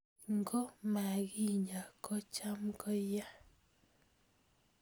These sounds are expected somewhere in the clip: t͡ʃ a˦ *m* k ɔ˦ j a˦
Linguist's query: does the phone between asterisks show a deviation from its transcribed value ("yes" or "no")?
no